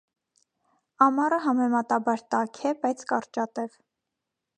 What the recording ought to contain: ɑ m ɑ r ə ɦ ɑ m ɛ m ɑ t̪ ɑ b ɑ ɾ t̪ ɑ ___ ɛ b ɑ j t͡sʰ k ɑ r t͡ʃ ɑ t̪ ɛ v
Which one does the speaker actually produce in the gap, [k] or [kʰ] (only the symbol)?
kʰ